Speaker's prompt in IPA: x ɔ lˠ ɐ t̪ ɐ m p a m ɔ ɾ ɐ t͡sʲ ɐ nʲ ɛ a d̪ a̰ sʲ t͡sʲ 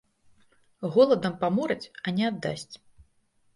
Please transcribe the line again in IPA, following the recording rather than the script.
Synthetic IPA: ɣ ɔ lˠ ɐ d̪ ɐ m p a m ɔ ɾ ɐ t͡sʲ ɐ nʲ ɛ a d̪ː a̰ sʲ t͡sʲ